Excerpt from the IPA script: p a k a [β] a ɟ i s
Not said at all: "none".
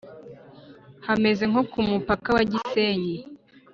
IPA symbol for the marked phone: w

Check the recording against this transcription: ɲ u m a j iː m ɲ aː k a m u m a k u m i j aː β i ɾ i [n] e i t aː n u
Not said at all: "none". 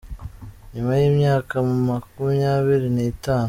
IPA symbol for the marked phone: n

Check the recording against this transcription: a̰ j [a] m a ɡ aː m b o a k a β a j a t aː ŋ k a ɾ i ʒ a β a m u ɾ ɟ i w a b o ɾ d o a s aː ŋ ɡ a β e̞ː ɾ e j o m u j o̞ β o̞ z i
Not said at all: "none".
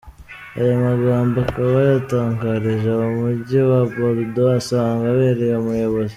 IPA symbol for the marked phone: a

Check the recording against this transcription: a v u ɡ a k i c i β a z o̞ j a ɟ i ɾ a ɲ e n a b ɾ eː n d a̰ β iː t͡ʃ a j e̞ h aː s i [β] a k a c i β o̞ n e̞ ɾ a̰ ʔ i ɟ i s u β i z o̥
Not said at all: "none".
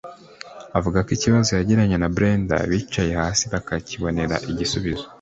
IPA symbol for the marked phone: β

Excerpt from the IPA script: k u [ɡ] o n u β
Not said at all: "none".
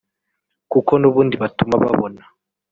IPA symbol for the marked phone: k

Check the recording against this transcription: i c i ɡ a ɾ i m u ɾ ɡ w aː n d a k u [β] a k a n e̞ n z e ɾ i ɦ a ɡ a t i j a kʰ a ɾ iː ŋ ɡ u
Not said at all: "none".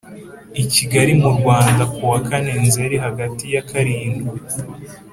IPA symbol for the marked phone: w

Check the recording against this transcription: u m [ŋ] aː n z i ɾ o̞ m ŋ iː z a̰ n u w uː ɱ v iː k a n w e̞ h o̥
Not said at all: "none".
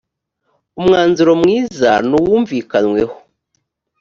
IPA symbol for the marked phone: ŋ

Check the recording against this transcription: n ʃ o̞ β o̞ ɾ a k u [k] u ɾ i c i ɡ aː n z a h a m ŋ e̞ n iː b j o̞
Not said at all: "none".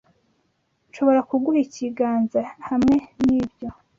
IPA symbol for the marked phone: ɡ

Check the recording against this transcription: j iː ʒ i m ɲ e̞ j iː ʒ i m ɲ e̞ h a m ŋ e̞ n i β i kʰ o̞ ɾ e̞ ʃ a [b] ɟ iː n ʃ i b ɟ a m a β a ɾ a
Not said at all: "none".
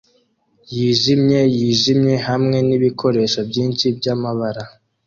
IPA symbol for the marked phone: b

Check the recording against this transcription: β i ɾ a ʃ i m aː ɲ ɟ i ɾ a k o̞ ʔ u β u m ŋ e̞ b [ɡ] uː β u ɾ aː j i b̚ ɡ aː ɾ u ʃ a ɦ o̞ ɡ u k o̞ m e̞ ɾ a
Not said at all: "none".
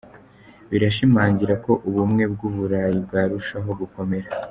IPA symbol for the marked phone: ɡ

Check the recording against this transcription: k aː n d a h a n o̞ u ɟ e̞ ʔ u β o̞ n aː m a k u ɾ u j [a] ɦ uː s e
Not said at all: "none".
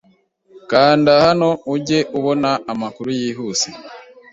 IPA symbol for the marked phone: i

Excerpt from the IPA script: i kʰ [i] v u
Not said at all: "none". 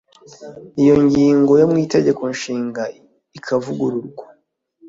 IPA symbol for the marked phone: a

